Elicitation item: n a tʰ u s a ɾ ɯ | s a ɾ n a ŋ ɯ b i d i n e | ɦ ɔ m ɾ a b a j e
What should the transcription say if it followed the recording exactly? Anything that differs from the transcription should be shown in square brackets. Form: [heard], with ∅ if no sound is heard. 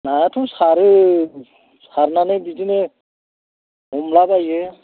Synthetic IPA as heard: n a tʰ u s a ɾ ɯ | s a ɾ n a [n] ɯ b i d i n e | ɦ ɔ m [l] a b a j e